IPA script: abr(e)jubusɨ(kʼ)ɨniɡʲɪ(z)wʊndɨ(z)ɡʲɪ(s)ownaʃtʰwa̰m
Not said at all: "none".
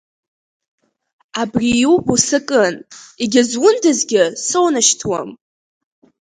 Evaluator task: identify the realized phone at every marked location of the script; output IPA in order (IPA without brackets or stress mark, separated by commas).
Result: i, kʼ, z, z, s